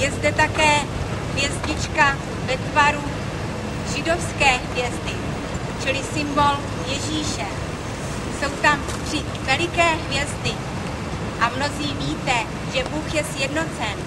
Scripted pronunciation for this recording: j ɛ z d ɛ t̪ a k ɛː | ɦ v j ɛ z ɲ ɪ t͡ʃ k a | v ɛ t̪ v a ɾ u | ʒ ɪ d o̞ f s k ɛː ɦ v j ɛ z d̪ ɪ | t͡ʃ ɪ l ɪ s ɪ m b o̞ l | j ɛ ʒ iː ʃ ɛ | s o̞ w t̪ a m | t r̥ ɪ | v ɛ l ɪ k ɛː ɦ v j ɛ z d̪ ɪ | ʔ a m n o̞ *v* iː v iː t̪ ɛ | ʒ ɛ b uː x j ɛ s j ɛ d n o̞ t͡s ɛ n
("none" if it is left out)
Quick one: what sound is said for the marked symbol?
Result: z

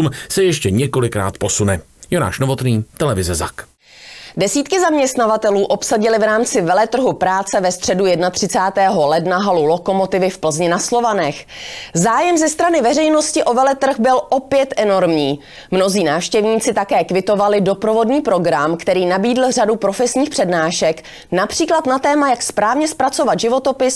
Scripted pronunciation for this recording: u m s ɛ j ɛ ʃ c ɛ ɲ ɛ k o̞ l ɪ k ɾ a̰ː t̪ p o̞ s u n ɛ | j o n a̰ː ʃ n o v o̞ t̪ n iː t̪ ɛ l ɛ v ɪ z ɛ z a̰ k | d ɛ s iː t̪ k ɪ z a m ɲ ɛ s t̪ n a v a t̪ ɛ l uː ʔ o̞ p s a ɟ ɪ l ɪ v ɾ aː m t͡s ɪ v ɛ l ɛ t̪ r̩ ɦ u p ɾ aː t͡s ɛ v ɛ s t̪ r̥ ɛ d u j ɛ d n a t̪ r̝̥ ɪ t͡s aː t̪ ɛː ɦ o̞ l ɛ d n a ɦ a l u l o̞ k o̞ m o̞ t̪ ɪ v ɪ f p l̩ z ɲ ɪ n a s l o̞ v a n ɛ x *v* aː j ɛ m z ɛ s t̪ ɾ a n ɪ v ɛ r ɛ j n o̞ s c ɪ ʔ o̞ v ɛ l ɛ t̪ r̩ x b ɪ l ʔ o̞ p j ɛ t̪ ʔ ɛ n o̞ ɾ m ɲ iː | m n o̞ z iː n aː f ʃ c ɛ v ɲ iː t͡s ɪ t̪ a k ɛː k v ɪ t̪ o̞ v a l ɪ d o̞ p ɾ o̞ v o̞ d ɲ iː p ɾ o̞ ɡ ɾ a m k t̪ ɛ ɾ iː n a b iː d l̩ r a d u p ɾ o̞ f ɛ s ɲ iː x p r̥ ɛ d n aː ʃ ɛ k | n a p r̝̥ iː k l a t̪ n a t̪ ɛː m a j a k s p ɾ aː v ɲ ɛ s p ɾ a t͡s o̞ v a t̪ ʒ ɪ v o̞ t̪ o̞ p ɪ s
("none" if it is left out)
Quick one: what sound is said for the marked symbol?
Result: z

